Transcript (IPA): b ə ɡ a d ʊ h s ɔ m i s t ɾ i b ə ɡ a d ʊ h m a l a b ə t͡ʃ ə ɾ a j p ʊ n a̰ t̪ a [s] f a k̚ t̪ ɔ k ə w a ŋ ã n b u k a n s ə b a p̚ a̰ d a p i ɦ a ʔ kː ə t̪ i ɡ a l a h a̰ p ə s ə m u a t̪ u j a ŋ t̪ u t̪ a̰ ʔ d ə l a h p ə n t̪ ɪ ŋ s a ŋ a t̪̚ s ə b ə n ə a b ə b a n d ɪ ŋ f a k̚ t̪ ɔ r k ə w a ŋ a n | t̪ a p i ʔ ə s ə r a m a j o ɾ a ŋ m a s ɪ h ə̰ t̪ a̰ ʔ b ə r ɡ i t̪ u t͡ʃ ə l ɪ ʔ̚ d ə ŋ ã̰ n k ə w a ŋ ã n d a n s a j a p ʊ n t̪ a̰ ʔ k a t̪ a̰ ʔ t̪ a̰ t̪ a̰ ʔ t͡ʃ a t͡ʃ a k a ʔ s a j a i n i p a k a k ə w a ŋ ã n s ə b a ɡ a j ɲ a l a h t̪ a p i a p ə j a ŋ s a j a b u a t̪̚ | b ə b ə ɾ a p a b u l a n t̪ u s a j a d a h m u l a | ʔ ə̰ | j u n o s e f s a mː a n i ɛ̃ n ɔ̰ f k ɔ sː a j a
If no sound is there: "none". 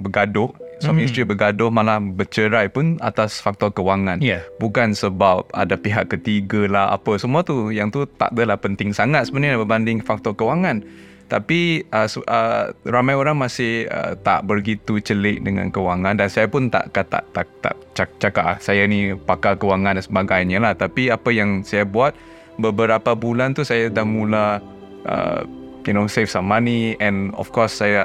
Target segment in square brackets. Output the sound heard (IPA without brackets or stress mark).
s